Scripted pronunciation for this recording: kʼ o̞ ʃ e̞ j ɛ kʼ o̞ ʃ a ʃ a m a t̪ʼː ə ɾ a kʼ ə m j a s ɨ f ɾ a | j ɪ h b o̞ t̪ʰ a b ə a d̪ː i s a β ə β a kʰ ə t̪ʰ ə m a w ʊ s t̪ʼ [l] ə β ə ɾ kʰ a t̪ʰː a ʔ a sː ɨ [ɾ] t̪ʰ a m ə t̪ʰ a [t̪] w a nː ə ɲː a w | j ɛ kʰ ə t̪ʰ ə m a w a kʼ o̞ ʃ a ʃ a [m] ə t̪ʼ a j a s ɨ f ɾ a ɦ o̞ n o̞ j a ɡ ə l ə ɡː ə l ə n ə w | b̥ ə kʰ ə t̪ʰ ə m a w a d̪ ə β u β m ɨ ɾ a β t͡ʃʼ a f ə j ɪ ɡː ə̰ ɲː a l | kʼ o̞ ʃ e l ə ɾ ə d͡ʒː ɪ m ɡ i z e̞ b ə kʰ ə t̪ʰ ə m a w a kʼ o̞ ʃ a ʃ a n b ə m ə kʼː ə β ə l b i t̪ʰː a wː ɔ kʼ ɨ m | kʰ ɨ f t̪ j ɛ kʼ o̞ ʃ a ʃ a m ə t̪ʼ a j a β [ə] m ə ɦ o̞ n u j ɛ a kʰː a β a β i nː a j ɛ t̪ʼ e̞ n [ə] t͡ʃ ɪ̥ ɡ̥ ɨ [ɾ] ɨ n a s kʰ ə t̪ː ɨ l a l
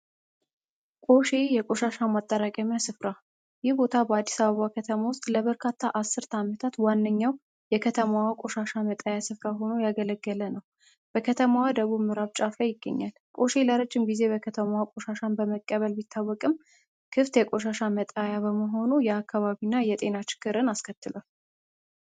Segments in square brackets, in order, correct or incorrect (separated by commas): correct, correct, correct, correct, correct, incorrect, correct